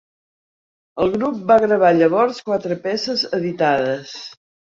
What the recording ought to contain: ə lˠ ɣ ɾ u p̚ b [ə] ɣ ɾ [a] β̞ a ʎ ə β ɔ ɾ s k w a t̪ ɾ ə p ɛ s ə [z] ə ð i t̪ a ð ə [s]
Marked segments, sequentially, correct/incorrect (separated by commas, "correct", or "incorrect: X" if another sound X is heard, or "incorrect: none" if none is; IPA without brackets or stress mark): incorrect: a, incorrect: ə, correct, correct